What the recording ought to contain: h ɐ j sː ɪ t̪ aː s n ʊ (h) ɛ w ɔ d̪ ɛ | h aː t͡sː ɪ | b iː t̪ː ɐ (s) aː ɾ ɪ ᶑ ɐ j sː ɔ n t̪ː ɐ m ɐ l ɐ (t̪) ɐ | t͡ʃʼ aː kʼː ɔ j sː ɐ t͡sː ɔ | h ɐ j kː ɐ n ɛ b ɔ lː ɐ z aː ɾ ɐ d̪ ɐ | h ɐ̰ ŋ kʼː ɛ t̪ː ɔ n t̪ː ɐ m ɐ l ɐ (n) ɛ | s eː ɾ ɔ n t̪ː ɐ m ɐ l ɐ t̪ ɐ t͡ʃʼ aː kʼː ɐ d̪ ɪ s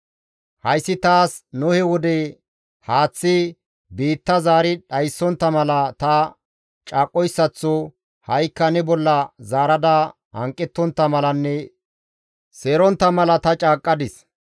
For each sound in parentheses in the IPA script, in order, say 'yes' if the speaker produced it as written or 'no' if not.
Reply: yes, no, yes, no

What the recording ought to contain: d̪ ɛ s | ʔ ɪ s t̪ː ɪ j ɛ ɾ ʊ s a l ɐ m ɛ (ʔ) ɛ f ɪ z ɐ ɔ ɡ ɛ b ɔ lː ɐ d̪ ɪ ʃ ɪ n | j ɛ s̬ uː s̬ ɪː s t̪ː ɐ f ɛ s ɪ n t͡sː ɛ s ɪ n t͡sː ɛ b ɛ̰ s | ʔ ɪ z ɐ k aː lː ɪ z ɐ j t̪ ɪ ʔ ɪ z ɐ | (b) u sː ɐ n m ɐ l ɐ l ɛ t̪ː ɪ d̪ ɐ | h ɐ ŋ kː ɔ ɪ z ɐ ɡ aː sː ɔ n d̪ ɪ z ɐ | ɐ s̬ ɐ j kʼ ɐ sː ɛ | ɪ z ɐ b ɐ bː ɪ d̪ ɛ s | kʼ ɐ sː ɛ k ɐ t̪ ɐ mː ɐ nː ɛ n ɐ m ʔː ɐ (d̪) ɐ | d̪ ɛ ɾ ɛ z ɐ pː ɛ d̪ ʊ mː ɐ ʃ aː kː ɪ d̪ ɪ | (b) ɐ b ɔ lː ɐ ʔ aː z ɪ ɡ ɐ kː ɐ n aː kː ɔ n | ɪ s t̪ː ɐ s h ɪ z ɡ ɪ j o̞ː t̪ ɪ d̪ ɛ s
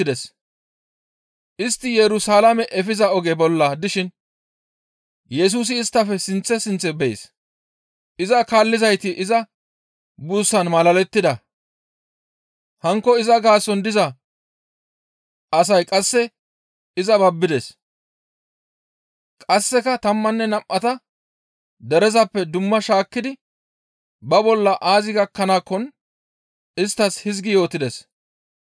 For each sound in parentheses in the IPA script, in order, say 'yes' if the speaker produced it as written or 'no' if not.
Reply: yes, yes, no, yes

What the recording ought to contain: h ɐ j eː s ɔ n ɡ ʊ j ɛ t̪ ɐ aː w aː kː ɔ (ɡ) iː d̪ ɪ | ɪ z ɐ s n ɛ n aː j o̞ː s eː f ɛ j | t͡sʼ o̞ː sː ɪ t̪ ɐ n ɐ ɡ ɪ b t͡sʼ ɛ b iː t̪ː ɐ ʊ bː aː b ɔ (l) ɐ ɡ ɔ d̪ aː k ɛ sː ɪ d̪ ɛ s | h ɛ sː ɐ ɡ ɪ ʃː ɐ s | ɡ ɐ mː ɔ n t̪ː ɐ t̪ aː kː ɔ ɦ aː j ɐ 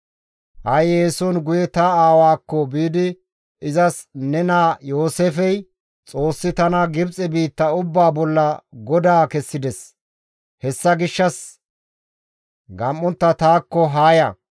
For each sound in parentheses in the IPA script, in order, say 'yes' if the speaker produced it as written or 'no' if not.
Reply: no, no

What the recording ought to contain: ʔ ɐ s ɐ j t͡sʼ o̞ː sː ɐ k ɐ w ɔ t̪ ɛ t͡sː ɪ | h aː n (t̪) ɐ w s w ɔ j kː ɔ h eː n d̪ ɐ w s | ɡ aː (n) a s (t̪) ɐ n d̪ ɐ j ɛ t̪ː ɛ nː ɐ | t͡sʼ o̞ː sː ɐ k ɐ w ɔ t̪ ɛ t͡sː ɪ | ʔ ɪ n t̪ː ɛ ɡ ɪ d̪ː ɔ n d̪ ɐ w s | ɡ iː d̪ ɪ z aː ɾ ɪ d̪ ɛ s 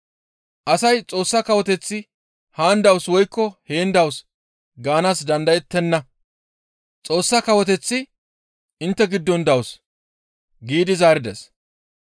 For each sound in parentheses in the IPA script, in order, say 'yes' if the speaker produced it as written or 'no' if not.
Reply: no, yes, no

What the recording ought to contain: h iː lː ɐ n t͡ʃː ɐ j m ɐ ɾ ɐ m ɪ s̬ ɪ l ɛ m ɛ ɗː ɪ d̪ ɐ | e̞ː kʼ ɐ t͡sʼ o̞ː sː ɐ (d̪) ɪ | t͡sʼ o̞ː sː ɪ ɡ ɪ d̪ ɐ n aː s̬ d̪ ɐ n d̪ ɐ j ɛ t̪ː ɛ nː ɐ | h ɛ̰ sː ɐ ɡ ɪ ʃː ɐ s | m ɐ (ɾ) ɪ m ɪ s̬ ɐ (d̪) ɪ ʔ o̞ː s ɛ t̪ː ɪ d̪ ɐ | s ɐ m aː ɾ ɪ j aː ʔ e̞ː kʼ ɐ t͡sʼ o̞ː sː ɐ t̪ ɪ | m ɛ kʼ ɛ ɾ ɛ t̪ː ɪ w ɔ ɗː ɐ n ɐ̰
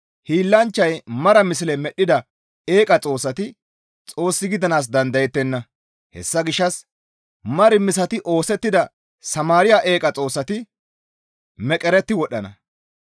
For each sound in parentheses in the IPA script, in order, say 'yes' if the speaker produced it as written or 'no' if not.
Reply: no, yes, no

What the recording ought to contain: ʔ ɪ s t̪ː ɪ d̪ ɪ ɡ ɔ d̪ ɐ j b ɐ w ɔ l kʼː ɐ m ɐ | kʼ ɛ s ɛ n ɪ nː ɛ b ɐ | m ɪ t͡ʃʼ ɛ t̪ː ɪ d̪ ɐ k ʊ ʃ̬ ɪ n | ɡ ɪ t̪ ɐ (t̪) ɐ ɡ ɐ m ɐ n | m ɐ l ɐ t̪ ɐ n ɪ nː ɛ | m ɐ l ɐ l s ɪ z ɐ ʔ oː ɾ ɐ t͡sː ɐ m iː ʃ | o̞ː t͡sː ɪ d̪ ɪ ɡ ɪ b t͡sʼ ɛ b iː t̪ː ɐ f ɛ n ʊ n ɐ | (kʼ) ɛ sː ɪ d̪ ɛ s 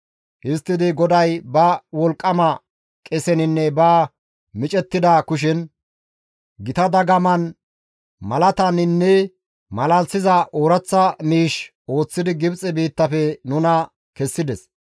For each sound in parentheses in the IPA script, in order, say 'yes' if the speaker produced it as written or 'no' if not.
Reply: no, no

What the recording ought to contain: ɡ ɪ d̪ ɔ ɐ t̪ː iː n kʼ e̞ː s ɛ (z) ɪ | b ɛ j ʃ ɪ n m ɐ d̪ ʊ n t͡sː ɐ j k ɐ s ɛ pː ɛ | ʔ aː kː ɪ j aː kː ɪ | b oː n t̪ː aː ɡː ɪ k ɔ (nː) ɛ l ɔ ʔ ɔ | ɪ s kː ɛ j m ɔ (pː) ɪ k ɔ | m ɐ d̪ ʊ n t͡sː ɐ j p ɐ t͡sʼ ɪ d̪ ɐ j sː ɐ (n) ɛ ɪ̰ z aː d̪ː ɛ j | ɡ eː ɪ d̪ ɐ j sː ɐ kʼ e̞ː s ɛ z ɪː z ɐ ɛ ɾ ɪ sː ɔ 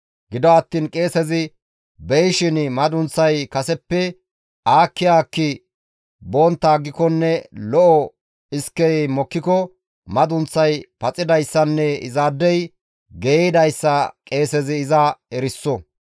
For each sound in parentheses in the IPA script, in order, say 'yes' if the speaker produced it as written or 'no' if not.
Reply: yes, yes, no, no

